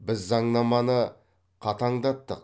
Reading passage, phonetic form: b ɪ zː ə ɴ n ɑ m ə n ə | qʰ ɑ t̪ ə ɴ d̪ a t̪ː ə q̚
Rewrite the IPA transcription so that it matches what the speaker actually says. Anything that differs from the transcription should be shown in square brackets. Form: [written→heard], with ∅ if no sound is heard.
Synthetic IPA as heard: b ɪ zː [ə→ɑ] ɴ n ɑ m [ə→ɑ] n ə | qʰ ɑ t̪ [ə→ɑ] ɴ d̪ [a→ɑ] t̪ː ə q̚